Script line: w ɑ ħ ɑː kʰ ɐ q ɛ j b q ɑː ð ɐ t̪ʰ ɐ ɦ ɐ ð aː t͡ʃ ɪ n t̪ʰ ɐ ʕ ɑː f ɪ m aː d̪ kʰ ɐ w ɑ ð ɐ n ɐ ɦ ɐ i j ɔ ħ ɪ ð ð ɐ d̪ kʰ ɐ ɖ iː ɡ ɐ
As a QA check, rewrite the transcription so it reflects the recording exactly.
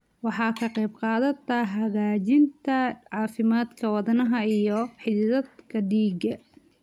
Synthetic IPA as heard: w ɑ ħ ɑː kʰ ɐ q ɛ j b q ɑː ð ɐ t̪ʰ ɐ ɦ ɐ ɣ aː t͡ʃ ɪ n t̪ʰ ɐ ʕ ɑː f ɪ m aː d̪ kʰ ɐ w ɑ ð ɐ n ɐ ɦ ɐ i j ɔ ħ ɪ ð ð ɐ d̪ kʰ ɐ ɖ iː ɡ ɐ